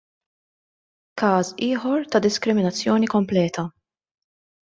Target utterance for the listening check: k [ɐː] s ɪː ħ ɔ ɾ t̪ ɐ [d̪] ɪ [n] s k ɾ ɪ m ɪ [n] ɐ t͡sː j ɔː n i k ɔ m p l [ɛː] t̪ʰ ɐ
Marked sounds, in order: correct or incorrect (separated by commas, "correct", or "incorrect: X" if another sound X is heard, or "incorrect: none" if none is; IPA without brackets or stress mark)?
correct, correct, incorrect: none, correct, correct